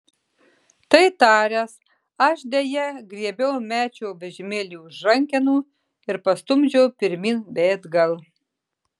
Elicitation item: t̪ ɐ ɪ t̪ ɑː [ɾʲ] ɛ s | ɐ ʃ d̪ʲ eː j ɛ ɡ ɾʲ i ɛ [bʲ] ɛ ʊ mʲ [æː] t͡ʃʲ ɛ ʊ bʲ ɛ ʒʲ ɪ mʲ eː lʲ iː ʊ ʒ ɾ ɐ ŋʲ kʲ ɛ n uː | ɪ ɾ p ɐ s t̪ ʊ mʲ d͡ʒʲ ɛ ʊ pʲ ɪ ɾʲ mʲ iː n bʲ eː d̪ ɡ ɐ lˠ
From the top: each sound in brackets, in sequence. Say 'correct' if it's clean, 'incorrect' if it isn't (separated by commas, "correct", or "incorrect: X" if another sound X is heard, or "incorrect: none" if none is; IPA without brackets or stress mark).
correct, correct, correct